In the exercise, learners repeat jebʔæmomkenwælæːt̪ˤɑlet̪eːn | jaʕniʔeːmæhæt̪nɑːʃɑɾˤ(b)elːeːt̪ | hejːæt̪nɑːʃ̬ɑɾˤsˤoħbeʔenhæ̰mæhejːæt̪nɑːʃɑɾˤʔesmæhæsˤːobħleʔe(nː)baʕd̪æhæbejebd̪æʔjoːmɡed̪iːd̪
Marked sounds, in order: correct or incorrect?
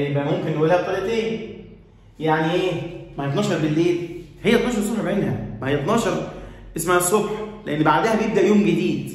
correct, correct

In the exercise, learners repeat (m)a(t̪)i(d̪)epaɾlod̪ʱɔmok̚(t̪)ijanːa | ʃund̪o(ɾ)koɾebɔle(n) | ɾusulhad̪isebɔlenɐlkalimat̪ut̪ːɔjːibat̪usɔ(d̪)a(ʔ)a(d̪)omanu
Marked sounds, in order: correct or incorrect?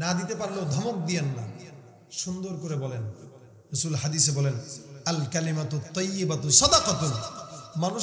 incorrect: n, incorrect: d̪, incorrect: t̪, incorrect: d̪, correct, correct, correct, incorrect: q, incorrect: t̪

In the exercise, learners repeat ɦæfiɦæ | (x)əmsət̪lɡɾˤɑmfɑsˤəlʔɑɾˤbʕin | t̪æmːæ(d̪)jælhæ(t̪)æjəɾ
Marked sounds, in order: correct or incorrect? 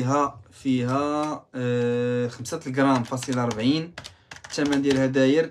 correct, correct, incorrect: d̪

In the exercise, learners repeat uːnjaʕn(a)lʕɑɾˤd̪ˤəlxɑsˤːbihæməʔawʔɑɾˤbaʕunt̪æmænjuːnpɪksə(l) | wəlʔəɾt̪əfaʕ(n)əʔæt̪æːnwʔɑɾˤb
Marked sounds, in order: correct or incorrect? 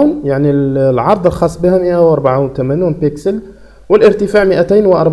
incorrect: i, correct, incorrect: m

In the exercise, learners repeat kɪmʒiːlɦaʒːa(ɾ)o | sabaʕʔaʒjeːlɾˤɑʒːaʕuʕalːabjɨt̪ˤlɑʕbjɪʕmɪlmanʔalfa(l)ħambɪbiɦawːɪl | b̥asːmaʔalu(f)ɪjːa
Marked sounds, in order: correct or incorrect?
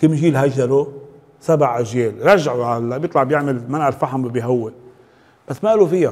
correct, incorrect: none, correct

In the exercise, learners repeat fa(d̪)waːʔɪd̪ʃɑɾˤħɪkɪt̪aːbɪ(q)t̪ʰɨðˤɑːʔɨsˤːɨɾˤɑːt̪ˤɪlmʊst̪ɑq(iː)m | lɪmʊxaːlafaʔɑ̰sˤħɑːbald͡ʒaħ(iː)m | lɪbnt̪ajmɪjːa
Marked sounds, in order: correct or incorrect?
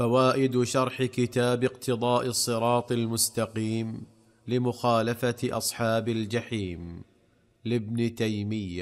incorrect: none, correct, correct, correct

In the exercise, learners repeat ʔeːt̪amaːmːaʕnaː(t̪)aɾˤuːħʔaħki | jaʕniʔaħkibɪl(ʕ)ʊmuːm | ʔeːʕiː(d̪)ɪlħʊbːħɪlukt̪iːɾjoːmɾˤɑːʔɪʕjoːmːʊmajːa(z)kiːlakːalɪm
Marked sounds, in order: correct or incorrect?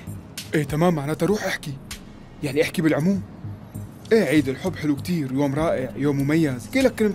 correct, correct, correct, correct

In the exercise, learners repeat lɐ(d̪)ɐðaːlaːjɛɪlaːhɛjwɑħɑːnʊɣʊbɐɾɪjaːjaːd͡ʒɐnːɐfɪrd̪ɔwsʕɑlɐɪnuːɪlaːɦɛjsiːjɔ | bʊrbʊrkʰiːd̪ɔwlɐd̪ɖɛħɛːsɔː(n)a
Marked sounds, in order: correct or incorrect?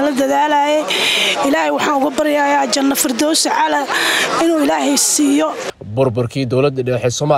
correct, incorrect: m

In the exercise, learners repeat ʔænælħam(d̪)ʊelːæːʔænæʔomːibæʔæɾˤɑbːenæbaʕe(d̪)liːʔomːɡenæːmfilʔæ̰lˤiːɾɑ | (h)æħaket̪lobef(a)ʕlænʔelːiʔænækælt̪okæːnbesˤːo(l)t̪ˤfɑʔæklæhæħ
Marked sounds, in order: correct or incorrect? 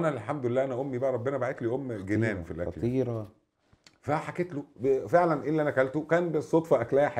correct, incorrect: t̪, incorrect: f, incorrect: e, incorrect: none

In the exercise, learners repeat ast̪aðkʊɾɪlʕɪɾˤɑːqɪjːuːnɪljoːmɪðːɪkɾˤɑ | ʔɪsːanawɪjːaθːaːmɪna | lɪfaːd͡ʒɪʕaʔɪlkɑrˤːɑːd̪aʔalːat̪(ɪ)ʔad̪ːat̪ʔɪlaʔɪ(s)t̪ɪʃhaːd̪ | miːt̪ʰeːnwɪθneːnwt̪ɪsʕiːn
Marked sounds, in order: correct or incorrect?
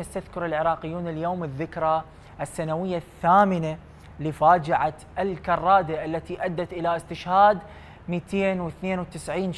incorrect: i, correct

